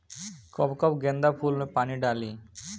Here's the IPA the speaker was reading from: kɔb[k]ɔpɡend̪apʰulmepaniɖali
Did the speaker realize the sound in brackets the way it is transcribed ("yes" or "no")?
yes